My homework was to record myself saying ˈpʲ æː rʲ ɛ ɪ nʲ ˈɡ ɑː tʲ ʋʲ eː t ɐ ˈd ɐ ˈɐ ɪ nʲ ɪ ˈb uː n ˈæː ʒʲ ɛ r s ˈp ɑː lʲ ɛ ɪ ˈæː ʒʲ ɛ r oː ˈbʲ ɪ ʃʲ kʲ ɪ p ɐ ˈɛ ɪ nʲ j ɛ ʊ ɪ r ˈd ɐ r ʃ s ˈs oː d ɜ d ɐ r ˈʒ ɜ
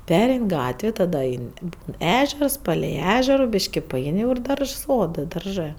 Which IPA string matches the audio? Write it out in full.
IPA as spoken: ˈpʲ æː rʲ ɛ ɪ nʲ ˈɡ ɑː tʲ ʋʲ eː t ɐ ˈd ɐ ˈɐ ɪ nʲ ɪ ˈb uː n ˈæː ʒʲ ɛ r s ˈp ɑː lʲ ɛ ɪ ˈæː ʒʲ ɛ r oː ˈbʲ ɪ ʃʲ kʲ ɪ p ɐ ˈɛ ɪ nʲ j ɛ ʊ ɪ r ˈd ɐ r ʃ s ˈs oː d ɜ d ɐ r ˈʒ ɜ